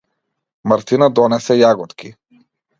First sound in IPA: m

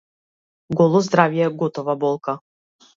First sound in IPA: ɡ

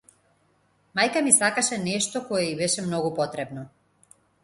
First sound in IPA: m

